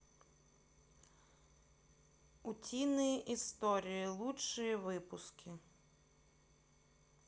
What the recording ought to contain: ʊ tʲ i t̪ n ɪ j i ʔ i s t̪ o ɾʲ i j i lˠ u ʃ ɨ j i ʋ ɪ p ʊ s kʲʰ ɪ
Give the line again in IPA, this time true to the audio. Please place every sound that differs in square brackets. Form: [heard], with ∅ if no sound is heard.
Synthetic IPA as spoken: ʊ tʲ i [∅] n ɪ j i ʔ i s t̪ [ɔ] ɾʲ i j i lˠ u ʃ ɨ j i ʋ ɪ p ʊ s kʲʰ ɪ